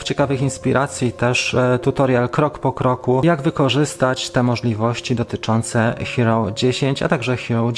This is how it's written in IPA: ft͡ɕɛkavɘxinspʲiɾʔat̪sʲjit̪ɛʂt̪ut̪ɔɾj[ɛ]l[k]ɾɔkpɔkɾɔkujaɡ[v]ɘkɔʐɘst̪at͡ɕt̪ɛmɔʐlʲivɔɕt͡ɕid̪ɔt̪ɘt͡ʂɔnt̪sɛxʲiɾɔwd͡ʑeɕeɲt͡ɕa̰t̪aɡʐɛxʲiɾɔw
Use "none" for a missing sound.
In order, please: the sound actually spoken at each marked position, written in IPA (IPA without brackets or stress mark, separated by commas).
a, k, v